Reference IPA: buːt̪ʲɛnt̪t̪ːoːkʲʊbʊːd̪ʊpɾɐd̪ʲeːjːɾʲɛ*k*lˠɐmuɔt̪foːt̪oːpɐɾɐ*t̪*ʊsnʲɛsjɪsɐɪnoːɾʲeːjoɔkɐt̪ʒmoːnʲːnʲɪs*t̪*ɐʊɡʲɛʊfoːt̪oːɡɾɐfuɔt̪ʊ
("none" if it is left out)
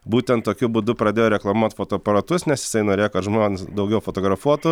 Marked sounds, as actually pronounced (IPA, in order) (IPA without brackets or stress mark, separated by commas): k, t̪, d̪